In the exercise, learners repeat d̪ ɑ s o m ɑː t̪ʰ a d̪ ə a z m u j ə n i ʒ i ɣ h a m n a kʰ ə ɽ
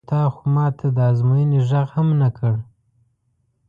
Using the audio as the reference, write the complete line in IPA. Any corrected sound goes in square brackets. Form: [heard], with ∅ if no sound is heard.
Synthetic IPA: [t̪] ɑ [x] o m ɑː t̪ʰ a d̪ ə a z m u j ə n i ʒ [a] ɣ h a m n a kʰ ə ɽ